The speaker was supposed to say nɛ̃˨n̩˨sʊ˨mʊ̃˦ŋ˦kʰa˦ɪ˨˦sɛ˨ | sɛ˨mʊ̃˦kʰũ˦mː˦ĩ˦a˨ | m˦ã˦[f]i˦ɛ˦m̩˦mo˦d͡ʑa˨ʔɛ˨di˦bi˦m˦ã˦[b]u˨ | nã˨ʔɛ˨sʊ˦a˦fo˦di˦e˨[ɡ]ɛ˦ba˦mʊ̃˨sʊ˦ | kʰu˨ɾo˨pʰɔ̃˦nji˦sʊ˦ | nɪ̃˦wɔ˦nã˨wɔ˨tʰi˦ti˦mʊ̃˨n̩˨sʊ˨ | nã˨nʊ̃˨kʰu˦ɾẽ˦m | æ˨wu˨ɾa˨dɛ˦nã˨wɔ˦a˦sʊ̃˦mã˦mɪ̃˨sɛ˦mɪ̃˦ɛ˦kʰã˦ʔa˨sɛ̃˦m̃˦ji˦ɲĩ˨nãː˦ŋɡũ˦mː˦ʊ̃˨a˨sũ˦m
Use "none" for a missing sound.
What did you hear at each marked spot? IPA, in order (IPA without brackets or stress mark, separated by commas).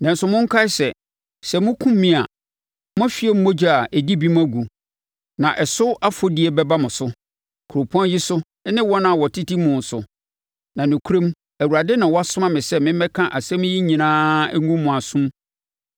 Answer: f, ɡ, b